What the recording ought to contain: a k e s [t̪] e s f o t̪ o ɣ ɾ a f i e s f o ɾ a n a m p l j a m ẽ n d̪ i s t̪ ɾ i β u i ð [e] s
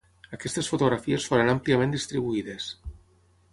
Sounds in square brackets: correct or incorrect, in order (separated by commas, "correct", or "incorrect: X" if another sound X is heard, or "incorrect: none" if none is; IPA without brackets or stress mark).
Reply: correct, correct